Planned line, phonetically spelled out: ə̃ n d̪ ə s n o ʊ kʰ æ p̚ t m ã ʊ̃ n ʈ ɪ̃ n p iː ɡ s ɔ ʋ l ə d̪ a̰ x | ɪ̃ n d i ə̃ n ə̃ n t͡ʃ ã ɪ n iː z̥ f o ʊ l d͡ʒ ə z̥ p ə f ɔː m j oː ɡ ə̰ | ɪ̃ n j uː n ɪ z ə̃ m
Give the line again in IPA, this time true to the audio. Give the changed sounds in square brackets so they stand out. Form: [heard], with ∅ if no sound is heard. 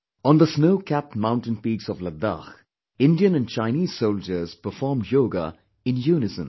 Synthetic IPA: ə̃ n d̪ ə s n o ʊ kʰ æ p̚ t m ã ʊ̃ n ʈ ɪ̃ n p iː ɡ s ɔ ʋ l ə d̪ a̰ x | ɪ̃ n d i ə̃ n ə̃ n t͡ʃ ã ɪ n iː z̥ [s] o ʊ l d͡ʒ ə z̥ p ə f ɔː m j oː ɡ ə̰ | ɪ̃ n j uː n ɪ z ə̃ m